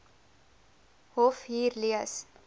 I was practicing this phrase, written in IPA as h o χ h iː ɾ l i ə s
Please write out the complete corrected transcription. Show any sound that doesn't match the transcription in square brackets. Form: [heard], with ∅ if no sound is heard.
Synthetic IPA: h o [f] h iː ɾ l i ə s